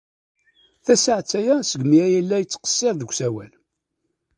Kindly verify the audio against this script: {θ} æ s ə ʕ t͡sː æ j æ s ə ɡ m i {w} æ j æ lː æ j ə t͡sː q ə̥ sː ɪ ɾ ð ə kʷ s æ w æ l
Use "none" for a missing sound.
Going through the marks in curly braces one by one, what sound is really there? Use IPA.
θ, none

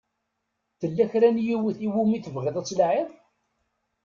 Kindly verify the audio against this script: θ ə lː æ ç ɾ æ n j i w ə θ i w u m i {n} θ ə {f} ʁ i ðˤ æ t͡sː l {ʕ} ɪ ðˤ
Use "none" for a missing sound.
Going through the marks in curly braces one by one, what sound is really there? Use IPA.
none, v, ʕ

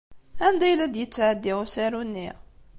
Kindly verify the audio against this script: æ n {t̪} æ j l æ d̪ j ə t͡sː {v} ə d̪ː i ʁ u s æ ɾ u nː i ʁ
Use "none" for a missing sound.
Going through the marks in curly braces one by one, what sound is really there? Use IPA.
d̪, ʕ

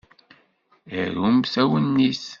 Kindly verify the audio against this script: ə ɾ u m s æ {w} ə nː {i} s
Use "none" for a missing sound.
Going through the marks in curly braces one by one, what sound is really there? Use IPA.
w, i

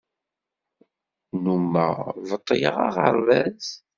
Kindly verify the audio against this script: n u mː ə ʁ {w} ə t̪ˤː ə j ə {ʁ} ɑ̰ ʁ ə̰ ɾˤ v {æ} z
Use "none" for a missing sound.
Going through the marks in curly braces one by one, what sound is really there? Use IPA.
v, ʁ, æ

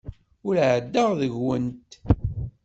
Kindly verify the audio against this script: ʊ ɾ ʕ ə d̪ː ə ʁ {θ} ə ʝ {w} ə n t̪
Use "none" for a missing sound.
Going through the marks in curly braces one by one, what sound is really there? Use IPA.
ð, w

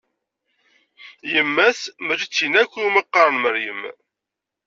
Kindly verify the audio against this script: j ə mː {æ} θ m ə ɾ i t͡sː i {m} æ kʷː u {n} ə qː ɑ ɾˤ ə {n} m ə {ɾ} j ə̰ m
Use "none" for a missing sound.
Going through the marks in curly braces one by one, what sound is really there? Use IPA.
æ, n, m, n, ɾ

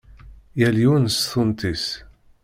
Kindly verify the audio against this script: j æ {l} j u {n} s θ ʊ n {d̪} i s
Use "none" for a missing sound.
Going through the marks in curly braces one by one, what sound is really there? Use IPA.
l, n, t̪

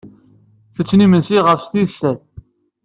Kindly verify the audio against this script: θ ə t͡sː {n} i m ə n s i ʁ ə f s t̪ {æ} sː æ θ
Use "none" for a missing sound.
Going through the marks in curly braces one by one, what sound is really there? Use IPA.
n, i

